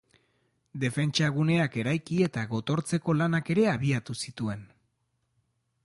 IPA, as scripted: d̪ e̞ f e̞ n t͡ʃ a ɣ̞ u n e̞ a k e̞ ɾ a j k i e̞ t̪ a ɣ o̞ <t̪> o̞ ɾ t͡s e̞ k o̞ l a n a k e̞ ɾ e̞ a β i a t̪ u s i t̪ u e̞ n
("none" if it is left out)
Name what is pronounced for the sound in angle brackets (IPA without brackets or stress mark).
t̪